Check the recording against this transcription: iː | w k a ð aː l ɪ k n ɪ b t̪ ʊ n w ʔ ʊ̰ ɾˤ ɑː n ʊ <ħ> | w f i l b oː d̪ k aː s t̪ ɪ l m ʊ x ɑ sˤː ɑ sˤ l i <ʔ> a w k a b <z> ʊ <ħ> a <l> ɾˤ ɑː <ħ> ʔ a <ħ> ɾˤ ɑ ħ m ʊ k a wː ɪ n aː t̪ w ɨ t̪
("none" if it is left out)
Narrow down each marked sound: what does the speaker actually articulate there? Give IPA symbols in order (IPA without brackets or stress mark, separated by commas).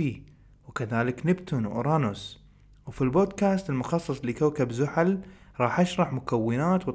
s, k, z, ħ, l, ħ, ʃ